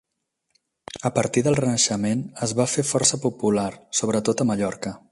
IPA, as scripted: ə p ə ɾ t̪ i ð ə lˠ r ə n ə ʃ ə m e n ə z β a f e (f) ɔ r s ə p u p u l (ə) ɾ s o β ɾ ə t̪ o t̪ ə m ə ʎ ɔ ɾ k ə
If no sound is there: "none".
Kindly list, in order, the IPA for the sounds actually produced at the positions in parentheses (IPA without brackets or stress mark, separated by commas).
f, a